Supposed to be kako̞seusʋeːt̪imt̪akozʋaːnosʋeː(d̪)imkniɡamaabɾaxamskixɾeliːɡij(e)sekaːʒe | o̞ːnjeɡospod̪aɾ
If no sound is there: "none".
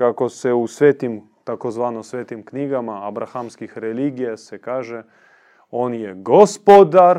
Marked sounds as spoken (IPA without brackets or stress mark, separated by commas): t̪, a